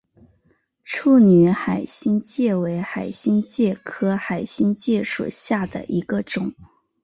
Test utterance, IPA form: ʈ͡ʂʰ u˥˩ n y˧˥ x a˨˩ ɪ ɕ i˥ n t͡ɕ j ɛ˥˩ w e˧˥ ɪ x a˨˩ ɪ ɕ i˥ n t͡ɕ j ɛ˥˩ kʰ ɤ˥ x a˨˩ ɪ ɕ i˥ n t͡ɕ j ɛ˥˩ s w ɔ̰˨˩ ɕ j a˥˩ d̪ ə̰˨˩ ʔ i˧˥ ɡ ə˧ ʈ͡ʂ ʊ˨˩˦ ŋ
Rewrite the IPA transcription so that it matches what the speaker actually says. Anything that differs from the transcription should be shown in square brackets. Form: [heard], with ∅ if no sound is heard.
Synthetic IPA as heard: ʈ͡ʂʰ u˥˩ n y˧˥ x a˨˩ ɪ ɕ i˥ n t͡ɕ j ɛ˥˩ w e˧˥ ɪ x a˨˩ ɪ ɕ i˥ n t͡ɕ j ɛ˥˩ kʰ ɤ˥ x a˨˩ ɪ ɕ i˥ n t͡ɕ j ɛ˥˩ [ʂ] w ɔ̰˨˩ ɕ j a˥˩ d̪ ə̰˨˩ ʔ i˧˥ ɡ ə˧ ʈ͡ʂ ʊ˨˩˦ ŋ

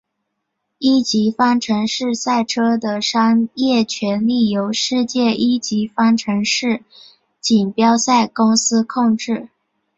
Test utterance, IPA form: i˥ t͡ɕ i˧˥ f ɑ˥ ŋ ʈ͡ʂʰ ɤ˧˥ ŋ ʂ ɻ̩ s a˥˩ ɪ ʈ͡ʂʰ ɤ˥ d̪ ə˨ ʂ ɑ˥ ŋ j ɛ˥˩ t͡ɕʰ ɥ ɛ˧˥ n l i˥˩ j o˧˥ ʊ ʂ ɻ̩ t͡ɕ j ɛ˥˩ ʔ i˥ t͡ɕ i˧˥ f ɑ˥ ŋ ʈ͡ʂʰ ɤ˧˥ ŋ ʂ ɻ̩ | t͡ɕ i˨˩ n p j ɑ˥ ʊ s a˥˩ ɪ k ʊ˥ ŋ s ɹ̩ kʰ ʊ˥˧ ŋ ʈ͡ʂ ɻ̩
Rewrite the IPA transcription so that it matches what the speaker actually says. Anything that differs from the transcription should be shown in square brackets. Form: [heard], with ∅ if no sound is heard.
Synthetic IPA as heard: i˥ t͡ɕ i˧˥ f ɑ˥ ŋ ʈ͡ʂʰ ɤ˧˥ ŋ ʂ ɻ̩ s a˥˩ ɪ ʈ͡ʂʰ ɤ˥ d̪ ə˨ ʂ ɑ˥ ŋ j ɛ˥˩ t͡ɕʰ ɥ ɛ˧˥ n l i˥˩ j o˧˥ ʊ ʂ ɻ̩ t͡ɕ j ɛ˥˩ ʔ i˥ t͡ɕ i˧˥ f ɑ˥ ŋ ʈ͡ʂʰ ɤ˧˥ ŋ ʂ ɻ̩ | t͡ɕ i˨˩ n p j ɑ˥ ʊ s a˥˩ ɪ k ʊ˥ ŋ s ɹ̩ kʰ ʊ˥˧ ŋ ʈ͡ʂ ɻ̩

